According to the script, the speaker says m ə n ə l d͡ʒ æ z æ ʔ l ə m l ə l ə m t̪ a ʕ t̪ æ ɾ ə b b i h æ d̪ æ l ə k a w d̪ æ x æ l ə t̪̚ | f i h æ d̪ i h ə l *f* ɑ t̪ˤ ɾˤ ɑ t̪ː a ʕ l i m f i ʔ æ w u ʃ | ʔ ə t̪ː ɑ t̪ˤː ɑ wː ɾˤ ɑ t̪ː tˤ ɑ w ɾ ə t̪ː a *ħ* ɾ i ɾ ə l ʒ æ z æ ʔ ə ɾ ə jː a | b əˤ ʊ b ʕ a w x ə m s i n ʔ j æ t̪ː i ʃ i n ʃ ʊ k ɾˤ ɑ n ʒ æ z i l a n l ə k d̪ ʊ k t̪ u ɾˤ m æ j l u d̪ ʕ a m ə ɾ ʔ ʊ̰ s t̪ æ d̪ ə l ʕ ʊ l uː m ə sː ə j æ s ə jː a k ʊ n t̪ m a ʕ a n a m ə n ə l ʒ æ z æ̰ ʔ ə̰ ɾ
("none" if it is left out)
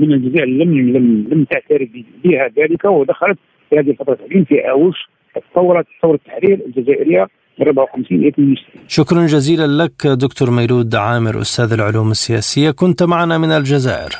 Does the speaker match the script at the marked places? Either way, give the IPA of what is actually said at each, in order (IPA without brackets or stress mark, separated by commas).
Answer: f, ħ